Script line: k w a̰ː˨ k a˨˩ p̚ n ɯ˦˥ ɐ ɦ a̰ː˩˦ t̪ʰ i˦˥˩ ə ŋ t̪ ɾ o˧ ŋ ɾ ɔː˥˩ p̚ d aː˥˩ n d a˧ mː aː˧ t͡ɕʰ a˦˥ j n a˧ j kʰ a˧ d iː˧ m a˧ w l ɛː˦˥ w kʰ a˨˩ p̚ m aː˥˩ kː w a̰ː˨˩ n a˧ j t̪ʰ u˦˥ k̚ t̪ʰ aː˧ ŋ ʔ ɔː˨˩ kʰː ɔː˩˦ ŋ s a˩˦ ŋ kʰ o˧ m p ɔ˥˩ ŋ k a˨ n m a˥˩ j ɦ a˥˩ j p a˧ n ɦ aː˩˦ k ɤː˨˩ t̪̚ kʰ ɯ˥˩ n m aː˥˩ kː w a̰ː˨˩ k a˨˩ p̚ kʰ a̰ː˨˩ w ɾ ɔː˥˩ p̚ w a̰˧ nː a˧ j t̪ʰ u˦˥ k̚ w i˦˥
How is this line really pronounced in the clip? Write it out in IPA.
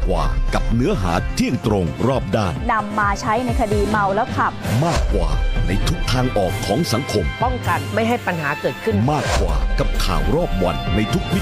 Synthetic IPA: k w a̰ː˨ k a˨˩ p̚ n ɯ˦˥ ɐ ɦ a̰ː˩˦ t̪ʰ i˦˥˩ ə ŋ t̪ ɾ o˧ ŋ ɾ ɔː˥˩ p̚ d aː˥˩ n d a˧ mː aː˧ t͡ɕʰ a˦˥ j n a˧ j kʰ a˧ d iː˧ m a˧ w l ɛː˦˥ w kʰ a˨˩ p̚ m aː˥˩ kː w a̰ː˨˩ n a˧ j t̪ʰ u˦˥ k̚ t̪ʰ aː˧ ŋ ʔ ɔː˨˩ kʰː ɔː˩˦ ŋ s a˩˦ ŋ kʰ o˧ m p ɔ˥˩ ŋ k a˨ n m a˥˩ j ɦ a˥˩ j p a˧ n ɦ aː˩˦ k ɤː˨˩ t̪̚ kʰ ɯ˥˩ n m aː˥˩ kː w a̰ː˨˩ k a˨˩ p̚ kʰ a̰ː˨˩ w ɾ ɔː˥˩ p̚ w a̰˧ nː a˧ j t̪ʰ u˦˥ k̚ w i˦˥